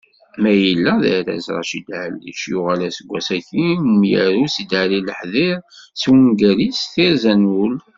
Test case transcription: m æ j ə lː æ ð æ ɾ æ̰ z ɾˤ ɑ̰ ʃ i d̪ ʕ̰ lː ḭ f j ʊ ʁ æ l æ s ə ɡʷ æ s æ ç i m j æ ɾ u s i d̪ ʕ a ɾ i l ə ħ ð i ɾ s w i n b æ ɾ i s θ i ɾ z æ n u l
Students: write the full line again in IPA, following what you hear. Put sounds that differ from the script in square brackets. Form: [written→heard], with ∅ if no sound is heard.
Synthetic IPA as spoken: m æ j ə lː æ ð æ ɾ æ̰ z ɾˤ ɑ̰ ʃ i d̪ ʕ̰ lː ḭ [f→ʃ] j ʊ ʁ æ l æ s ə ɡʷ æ s æ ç i m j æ ɾ u s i d̪ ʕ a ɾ i l ə ħ ð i ɾ s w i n [b→ɡ] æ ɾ i s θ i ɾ z æ n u l